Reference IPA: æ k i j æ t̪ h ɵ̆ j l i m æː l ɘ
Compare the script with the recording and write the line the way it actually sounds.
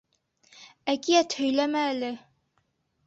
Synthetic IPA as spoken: æ k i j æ t̪ h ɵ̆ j l æ m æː l ɘ